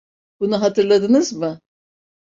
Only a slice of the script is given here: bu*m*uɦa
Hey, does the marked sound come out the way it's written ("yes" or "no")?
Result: no